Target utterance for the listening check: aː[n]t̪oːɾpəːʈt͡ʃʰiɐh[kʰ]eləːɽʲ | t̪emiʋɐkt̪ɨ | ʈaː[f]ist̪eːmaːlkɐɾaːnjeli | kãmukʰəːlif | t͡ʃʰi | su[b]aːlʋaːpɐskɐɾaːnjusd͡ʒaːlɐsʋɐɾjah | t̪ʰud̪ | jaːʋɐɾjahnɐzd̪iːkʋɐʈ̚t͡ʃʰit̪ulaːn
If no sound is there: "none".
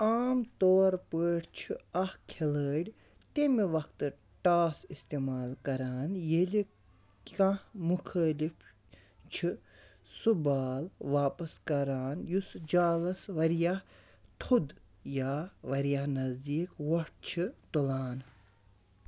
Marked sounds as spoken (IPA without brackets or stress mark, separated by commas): m, kʰ, s, b